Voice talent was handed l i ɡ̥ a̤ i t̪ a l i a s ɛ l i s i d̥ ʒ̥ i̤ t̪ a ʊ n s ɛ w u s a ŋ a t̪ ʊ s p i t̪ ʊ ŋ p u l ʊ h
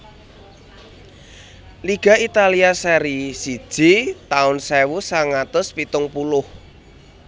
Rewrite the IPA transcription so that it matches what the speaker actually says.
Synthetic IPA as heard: l i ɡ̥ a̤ i t̪ a l i a s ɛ ɾ i s i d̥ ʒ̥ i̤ t̪ a ʊ n s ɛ w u s a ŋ a t̪ ʊ s p i t̪ ʊ ŋ p u l ʊ h